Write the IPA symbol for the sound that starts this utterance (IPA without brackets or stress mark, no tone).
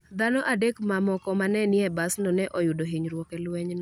d̪